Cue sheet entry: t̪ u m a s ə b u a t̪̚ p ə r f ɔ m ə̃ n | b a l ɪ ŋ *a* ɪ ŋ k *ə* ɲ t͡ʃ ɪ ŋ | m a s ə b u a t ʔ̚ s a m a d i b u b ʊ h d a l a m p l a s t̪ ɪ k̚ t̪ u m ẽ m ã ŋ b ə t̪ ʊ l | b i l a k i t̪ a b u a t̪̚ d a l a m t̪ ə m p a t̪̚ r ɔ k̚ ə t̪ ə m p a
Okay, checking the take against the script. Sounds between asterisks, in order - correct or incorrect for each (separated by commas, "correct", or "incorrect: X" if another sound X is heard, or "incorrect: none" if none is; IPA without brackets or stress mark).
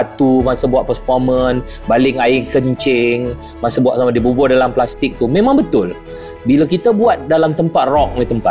correct, correct